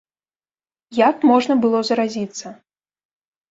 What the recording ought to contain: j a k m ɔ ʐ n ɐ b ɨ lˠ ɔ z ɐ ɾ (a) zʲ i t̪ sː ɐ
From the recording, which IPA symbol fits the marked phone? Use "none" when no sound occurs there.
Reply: a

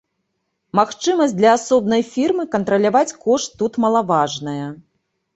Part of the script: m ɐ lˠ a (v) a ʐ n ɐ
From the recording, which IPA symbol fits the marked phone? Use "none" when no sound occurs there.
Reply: v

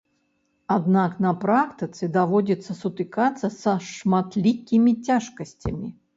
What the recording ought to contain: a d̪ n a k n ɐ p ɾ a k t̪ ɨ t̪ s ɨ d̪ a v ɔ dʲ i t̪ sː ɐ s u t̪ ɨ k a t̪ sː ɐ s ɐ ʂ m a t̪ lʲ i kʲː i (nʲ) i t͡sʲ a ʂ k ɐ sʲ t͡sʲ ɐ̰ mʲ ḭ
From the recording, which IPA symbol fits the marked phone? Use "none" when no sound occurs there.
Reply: mʲ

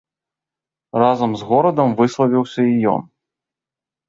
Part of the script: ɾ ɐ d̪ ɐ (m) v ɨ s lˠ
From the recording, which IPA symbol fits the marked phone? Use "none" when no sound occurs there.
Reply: m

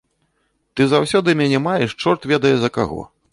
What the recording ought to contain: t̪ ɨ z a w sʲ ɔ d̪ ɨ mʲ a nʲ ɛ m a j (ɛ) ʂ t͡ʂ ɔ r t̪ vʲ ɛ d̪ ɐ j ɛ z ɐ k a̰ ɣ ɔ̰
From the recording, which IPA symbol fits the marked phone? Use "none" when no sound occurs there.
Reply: ɛ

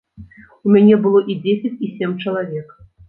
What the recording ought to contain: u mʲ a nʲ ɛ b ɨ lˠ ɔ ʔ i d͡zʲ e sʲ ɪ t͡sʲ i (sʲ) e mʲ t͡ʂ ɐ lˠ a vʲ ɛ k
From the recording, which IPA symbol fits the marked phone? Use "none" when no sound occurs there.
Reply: sʲ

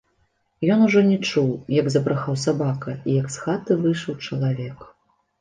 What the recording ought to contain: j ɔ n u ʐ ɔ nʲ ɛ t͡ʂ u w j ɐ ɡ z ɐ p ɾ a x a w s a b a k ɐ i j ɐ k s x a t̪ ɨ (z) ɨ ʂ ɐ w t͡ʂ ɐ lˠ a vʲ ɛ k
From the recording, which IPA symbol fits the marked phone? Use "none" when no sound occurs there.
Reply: v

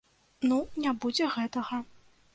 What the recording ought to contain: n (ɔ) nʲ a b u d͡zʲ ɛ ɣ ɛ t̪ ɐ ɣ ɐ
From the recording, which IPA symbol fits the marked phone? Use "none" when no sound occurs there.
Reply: u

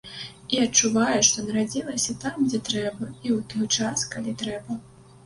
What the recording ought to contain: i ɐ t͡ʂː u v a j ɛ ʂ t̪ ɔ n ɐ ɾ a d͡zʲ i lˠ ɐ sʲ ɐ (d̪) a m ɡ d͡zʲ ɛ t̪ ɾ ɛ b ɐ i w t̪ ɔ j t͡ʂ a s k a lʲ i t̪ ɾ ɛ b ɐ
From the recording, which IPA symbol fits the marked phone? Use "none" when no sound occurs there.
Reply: t̪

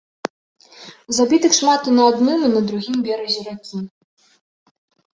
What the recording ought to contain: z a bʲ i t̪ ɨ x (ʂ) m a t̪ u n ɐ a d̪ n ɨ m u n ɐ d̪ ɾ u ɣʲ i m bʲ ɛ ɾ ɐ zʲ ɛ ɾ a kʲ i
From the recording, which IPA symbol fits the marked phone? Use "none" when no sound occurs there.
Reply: ʂ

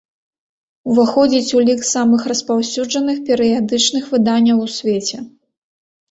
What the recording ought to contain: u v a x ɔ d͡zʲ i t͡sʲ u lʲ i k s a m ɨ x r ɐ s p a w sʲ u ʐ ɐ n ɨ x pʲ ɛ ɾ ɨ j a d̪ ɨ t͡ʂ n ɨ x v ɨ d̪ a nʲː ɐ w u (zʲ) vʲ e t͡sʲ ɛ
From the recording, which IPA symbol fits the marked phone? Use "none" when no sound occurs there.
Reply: sʲ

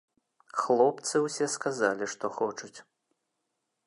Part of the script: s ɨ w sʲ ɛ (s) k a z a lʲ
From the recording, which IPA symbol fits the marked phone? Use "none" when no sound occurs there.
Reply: s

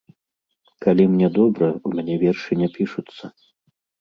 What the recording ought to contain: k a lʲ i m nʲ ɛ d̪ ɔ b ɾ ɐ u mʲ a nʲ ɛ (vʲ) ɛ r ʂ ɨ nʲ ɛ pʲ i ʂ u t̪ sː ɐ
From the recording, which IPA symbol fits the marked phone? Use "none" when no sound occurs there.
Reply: vʲ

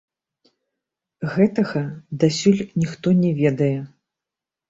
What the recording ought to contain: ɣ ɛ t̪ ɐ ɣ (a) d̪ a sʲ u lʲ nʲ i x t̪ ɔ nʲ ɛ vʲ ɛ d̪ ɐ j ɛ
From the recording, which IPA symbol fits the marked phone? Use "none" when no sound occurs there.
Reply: ɐ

